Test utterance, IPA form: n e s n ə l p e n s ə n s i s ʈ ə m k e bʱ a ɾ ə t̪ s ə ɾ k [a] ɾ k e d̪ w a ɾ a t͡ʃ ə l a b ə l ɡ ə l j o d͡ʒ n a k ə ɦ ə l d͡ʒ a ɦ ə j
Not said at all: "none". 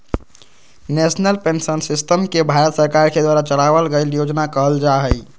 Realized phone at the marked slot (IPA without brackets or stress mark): a